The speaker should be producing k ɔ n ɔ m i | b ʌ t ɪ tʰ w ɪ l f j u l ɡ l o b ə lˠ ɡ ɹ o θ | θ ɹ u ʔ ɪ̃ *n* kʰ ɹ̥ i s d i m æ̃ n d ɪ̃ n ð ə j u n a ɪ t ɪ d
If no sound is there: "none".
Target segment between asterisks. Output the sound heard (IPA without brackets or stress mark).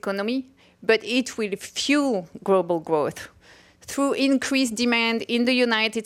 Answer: n